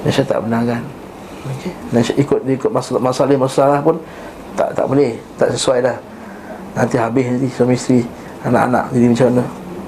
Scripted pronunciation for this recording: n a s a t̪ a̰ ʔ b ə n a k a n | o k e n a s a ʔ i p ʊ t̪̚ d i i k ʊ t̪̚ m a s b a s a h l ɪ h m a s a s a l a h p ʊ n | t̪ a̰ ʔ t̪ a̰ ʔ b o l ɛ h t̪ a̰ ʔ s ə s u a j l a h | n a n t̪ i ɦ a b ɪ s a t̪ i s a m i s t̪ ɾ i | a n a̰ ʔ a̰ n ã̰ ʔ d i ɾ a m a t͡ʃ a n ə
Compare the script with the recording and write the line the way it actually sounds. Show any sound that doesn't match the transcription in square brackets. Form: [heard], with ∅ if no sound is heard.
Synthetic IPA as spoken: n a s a t̪ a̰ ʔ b ə n a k a n | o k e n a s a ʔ i [k] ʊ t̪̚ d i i k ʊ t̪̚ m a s [m] a s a [∅] l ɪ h m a s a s a l a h p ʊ n | t̪ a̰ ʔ t̪ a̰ ʔ b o l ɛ h t̪ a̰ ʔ s ə s u a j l a h | n a n t̪ i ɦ a b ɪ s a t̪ i s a m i s t̪ ɾ i | a n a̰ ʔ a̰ n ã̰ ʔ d i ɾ [i] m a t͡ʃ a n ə